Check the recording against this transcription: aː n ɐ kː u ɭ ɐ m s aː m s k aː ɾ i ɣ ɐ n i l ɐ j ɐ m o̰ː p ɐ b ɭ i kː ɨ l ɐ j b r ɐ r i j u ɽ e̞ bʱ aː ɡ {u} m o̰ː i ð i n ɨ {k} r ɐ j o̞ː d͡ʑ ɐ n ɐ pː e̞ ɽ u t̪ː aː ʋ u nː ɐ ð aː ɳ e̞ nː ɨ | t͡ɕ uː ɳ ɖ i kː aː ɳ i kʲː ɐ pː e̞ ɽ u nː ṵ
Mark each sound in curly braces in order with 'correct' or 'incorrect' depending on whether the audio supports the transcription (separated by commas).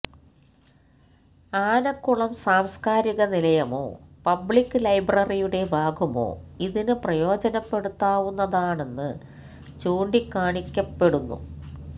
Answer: correct, incorrect